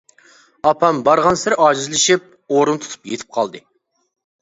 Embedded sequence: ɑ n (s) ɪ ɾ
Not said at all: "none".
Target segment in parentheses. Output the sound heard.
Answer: s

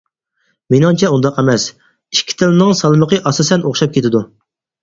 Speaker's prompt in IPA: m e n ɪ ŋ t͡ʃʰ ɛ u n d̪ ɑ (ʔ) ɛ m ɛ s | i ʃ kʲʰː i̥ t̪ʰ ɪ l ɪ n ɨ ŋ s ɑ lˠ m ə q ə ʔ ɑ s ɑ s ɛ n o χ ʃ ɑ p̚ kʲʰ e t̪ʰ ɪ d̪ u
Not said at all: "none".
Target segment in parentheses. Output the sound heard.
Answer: q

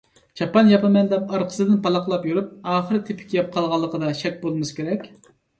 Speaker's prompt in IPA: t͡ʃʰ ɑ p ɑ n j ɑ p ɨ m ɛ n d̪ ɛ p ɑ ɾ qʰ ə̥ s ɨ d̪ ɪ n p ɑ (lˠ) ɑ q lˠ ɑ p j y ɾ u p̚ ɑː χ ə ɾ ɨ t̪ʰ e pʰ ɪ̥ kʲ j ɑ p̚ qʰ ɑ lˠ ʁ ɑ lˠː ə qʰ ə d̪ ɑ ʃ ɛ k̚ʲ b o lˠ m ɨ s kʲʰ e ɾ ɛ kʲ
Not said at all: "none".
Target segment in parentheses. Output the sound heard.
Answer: lˠ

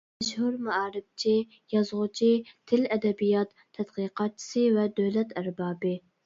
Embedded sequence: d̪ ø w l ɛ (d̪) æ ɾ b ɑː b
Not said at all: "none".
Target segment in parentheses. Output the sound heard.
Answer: t̪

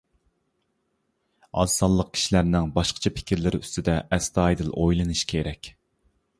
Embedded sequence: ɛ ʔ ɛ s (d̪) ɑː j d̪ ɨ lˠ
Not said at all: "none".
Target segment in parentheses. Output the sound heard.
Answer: t̪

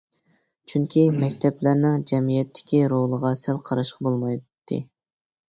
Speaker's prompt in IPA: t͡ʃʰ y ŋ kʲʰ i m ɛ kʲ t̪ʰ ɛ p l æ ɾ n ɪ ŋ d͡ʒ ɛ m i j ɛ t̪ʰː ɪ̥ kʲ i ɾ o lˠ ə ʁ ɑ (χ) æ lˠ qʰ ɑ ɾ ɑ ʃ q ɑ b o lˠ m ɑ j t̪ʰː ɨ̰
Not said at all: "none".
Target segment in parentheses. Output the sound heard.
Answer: s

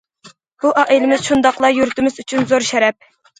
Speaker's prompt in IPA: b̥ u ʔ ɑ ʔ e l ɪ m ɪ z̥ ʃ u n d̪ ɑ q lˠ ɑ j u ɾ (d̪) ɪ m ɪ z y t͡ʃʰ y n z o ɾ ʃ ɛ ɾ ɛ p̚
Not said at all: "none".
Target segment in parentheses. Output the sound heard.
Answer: t̪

